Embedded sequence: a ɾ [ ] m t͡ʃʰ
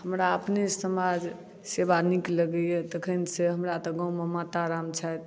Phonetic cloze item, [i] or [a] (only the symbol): a